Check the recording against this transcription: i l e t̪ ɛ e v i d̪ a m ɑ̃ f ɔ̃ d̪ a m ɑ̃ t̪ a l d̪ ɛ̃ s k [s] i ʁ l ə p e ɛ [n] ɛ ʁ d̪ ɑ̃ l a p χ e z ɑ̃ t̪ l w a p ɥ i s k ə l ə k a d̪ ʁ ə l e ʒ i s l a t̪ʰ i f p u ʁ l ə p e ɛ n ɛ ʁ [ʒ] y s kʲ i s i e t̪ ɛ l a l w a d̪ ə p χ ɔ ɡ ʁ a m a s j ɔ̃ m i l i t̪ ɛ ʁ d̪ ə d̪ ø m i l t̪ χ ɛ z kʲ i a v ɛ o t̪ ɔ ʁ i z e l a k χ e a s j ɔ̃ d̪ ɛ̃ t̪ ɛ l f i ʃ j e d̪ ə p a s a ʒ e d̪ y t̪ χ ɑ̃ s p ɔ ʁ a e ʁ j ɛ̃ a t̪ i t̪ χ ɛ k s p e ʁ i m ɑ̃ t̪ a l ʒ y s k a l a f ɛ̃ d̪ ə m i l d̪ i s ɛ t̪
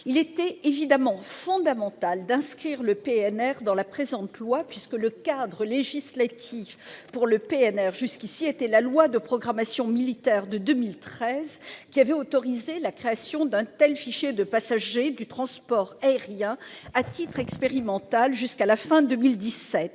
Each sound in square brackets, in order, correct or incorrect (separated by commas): incorrect, correct, correct